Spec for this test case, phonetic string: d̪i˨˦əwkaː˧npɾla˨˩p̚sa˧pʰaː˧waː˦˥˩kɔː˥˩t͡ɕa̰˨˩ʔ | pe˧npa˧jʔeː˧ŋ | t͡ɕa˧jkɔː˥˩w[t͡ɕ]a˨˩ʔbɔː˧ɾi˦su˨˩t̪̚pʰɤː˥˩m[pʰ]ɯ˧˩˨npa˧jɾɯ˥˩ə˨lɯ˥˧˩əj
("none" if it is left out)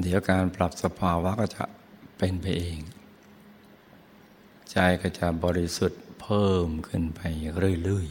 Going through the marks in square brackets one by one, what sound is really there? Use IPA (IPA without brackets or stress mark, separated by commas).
t͡ɕ, kʰ